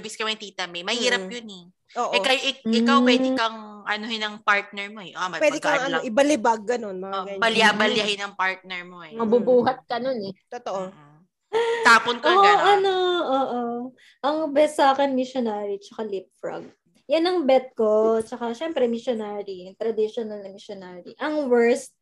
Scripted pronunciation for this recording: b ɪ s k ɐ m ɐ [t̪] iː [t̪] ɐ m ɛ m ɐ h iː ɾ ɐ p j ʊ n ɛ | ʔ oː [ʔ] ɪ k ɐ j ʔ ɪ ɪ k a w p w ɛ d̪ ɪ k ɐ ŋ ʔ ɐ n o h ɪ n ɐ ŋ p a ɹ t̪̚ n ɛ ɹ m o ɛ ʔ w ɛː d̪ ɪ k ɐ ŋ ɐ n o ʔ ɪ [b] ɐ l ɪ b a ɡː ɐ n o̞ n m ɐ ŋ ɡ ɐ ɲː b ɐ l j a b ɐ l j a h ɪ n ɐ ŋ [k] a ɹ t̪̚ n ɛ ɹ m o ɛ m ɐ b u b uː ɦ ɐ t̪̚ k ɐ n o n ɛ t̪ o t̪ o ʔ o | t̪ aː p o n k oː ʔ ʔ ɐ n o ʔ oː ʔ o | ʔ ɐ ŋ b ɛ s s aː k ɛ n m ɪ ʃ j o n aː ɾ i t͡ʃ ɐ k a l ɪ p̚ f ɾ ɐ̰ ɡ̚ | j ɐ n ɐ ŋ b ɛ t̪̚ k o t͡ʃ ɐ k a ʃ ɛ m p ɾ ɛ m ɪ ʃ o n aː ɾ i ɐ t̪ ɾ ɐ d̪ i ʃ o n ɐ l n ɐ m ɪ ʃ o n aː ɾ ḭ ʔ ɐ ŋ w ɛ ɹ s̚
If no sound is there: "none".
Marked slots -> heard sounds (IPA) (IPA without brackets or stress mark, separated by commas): t̪, t̪, ʔ, b, p